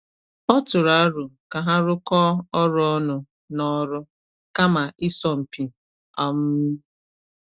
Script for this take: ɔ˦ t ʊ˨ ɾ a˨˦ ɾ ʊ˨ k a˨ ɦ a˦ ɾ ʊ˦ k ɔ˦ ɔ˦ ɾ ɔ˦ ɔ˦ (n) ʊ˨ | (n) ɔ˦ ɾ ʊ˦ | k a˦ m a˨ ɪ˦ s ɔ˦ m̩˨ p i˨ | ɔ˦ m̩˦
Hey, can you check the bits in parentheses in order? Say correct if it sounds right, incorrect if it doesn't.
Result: correct, correct

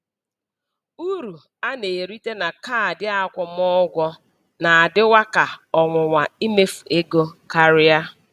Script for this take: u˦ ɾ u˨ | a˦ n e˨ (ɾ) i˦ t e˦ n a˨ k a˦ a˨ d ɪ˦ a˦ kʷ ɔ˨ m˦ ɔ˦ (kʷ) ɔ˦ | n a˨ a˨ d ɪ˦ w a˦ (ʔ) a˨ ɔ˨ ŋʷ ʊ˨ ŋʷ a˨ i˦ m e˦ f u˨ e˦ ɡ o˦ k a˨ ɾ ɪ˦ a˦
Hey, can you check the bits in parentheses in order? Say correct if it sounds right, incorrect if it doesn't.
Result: correct, incorrect: ɡʷ, incorrect: k

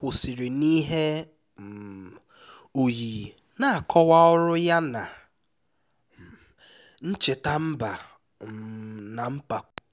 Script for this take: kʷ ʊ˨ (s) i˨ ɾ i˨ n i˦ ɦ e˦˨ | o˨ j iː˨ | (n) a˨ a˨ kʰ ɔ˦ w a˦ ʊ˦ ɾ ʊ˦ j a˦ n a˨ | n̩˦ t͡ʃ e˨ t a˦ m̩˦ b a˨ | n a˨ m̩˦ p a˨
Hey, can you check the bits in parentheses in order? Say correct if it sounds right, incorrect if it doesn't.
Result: correct, correct

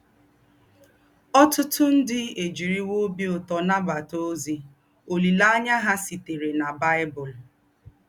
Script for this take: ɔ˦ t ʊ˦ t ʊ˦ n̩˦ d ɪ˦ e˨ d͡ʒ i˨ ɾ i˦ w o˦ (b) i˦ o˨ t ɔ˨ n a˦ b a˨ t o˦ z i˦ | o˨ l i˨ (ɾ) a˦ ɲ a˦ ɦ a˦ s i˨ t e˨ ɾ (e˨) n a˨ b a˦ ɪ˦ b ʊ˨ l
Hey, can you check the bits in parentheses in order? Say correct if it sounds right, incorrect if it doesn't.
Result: correct, incorrect: l, correct

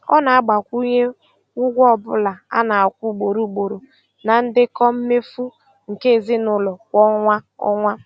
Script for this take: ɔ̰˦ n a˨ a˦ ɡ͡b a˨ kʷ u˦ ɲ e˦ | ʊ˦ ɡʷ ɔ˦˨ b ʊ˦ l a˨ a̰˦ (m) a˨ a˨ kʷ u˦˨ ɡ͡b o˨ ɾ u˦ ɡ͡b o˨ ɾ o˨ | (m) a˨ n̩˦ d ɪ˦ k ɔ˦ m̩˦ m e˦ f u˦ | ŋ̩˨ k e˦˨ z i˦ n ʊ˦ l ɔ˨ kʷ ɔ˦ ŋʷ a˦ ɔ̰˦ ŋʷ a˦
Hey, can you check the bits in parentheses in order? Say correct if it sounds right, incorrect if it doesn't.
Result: incorrect: n, incorrect: n

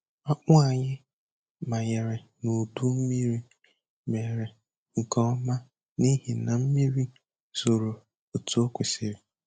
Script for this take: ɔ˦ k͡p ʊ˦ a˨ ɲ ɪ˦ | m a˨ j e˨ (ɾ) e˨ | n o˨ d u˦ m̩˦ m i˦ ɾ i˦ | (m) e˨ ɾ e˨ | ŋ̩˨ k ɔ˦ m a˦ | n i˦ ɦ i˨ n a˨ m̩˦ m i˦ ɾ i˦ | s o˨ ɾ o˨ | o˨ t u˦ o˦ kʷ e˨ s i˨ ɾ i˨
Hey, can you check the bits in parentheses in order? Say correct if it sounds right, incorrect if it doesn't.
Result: correct, correct

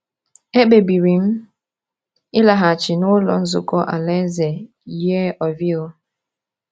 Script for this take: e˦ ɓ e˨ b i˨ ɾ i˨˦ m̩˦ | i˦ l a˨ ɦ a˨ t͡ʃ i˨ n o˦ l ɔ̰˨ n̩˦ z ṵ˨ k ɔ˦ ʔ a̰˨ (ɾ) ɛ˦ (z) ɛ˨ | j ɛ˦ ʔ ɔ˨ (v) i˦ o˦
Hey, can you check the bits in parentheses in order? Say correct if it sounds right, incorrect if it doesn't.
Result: incorrect: l, correct, correct

